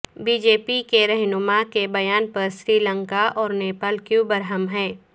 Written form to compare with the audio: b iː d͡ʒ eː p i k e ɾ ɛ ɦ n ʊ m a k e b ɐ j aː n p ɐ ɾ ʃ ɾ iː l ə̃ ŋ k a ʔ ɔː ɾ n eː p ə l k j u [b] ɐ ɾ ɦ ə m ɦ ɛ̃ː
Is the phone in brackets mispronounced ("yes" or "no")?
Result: no